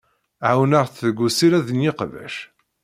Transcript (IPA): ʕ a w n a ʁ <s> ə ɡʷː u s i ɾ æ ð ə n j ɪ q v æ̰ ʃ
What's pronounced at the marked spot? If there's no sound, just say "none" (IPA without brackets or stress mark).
θ